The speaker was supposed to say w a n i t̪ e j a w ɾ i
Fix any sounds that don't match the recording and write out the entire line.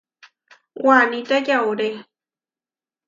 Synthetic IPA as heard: w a n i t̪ a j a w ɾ e